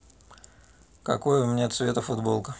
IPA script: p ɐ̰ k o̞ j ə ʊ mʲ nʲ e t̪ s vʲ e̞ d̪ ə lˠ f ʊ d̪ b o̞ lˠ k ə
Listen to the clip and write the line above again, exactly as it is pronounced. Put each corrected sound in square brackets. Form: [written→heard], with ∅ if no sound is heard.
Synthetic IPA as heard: [p→k] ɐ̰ k o̞ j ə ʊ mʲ nʲ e t̪ s vʲ e̞ [d̪→t̪] ə [lˠ→∅] f ʊ d̪ b o̞ lˠ k ə

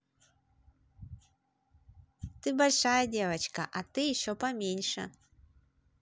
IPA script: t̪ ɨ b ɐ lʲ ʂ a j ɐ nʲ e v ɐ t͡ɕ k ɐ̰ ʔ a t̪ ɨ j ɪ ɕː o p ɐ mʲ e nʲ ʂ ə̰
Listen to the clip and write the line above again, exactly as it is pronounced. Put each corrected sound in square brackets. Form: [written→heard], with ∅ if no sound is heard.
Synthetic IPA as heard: t̪ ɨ b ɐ lʲ ʂ a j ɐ [nʲ→dʲ] e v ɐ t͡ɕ k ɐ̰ ʔ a t̪ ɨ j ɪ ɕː o p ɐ mʲ e nʲ ʂ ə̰

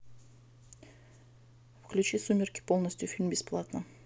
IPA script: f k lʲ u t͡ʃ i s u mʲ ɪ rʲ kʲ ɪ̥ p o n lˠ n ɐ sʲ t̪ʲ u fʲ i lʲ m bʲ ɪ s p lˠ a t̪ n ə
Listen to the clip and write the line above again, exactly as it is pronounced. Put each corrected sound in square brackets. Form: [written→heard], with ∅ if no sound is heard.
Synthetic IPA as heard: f k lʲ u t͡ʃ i s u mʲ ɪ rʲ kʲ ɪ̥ p o [n→∅] lˠ n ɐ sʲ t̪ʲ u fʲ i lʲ m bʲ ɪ s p lˠ a t̪ n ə

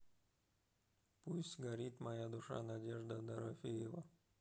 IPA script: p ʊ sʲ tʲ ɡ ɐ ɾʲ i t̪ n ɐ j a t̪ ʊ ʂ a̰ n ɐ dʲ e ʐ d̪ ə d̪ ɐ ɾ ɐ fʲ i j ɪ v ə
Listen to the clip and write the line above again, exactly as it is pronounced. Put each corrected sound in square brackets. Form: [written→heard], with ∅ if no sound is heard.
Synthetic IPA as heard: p [ʊ→u] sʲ tʲ ɡ ɐ ɾʲ i t̪ [n→m] ɐ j a [t̪→d̪] ʊ ʂ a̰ n ɐ dʲ e ʐ d̪ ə d̪ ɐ ɾ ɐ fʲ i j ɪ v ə

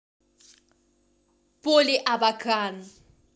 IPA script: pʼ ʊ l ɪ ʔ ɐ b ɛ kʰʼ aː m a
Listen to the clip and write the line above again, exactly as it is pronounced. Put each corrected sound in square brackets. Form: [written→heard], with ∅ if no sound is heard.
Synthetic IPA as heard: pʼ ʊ l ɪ ʔ [ɐ→a] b [ɛ→a] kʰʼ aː [m→n] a

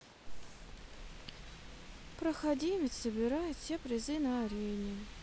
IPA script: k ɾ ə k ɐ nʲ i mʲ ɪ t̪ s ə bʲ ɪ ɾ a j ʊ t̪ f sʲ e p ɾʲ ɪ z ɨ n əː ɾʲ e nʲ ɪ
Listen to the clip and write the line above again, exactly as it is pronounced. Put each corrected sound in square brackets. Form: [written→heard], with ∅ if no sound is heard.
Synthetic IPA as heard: [k→p] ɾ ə [k→x] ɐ [nʲ→dʲ] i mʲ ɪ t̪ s ə bʲ ɪ ɾ a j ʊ t̪ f sʲ e p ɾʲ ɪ z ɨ n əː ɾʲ e nʲ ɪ

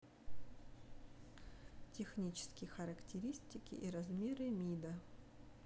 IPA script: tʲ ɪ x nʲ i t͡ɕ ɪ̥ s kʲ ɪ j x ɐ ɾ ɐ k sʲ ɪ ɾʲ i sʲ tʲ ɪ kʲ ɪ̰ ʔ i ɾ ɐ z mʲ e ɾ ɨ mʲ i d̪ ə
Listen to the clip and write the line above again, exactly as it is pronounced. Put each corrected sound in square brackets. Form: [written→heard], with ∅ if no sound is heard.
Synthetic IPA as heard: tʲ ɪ x nʲ i t͡ɕ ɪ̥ s kʲ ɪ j x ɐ ɾ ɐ k [sʲ→tʲ] ɪ ɾʲ i sʲ tʲ ɪ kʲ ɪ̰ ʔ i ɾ ɐ z mʲ e ɾ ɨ mʲ i d̪ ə

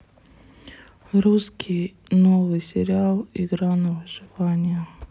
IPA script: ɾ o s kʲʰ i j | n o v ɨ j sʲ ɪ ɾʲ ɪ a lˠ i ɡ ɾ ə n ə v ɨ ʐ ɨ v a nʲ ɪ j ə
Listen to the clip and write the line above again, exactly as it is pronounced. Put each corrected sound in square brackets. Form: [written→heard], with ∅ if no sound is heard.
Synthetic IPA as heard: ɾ [o→u] s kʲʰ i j | n o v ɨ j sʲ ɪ ɾʲ ɪ a lˠ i ɡ ɾ [ə→a] n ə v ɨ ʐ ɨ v a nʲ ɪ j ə

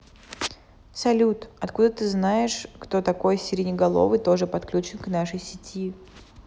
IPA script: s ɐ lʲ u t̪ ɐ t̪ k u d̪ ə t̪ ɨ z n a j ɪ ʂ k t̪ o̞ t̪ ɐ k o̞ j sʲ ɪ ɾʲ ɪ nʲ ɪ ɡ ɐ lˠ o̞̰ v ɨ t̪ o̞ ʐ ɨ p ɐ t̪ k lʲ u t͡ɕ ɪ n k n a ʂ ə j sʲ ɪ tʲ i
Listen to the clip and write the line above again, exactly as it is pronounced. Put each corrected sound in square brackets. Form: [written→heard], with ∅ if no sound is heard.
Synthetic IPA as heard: s ɐ lʲ u t̪ ɐ t̪ k u d̪ ə t̪ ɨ z n a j ɪ ʂ k t̪ o̞ t̪ ɐ k o̞ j sʲ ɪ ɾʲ ɪ nʲ ɪ ɡ ɐ lˠ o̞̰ v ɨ t̪ o̞ ʐ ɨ p ɐ t̪ k lʲ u t͡ɕ ɪ n k n a ʂ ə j sʲ ɪ tʲ i

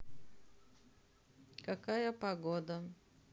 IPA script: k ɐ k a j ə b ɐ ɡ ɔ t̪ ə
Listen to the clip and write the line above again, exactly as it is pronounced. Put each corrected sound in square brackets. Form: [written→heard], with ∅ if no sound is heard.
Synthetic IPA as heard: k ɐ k a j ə [b→p] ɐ ɡ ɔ [t̪→d̪] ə

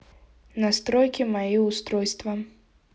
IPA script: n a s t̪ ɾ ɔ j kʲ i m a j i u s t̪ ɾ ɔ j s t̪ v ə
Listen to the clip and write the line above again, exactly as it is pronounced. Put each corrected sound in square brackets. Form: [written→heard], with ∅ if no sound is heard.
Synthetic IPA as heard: n a s t̪ ɾ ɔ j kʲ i m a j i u s t̪ ɾ ɔ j s t̪ v [ə→ɐ]

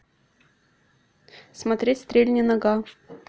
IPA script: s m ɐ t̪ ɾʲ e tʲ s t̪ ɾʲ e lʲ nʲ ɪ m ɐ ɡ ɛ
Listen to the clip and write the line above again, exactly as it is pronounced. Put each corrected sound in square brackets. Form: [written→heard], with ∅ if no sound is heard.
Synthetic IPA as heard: s m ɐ t̪ ɾʲ e tʲ s t̪ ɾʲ e lʲ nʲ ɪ [m→n] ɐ ɡ [ɛ→a]

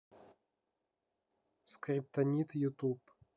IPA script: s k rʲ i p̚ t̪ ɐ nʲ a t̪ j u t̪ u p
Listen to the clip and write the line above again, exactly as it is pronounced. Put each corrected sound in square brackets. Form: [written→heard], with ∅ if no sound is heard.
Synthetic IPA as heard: s k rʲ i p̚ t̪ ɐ nʲ [a→i] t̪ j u t̪ u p

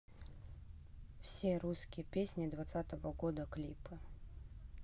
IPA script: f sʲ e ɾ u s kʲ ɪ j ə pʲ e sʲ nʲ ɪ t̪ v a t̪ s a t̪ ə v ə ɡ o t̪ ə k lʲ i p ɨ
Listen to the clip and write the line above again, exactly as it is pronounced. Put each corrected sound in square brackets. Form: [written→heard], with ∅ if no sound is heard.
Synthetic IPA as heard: f sʲ e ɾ u s kʲ ɪ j ə pʲ e sʲ nʲ ɪ [t̪→d̪] v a t̪ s a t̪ ə v ə ɡ o [t̪→d̪] ə k lʲ i p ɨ

